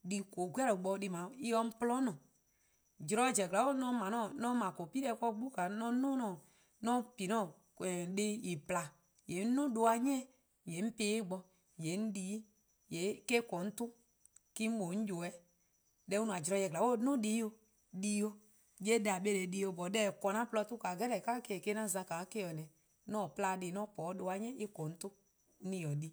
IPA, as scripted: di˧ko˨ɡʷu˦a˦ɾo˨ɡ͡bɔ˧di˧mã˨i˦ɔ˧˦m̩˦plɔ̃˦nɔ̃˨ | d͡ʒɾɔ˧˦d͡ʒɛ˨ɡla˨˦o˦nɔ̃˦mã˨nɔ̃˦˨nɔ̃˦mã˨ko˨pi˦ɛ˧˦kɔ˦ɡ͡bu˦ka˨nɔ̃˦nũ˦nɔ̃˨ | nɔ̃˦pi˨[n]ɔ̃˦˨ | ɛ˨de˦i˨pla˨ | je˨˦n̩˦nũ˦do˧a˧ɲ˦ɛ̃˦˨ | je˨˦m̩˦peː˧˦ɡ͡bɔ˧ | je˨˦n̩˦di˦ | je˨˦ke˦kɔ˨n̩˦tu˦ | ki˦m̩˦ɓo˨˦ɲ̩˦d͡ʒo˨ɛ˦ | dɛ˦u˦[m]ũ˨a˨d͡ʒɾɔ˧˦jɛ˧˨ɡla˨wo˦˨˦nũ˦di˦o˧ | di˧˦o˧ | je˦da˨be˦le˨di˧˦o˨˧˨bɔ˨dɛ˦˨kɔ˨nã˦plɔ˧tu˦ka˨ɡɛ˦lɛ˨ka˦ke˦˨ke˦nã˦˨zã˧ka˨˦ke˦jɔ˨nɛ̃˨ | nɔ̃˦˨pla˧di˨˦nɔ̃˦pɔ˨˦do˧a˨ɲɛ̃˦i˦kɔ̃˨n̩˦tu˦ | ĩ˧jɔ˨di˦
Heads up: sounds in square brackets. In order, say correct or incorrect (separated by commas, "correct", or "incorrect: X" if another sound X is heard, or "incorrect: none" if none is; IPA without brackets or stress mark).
correct, incorrect: n